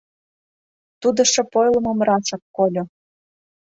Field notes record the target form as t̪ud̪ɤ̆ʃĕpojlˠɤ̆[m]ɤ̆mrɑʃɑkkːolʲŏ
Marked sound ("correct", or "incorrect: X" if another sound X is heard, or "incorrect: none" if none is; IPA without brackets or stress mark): correct